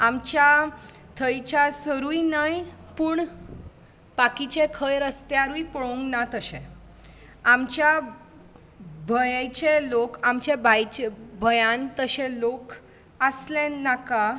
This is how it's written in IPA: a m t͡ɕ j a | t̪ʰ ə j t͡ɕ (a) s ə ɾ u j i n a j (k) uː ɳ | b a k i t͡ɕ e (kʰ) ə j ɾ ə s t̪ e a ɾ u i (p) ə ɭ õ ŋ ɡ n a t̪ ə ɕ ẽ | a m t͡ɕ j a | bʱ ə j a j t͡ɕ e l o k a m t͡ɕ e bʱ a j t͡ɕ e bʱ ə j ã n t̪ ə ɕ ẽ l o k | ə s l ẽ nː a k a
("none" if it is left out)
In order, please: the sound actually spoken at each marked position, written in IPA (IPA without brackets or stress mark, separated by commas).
a, p, kʰ, p